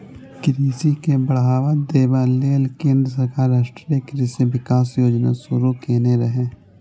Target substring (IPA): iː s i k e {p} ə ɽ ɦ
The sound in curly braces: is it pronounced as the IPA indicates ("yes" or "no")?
no